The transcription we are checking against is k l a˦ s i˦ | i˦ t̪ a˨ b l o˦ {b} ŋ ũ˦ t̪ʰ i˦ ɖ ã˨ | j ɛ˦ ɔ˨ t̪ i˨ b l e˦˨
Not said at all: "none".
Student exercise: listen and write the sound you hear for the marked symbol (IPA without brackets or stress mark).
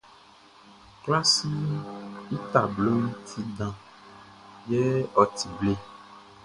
none